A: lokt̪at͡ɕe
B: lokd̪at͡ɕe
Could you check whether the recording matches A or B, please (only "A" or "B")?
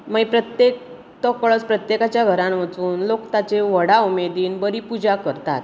A